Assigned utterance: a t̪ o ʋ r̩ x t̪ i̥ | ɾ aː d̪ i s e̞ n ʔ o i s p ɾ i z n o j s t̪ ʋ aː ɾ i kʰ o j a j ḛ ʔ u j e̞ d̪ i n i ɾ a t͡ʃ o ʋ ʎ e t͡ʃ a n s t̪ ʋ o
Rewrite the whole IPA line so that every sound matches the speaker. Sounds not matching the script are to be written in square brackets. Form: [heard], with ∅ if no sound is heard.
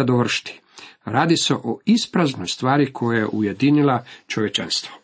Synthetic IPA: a [d̪] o ʋ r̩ [ʃ] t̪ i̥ | ɾ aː d̪ i s e̞ [∅] ʔ o i s p ɾ [a] z n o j s t̪ ʋ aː ɾ i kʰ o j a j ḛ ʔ u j e̞ d̪ i n i [l] a t͡ʃ o ʋ [j] e t͡ʃ a n s t̪ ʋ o